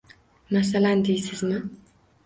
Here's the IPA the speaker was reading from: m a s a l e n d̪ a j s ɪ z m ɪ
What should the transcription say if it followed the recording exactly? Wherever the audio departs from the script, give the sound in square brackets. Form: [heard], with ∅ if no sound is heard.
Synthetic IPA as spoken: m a s a l [a] n d̪ [e] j s ɪ z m ɪ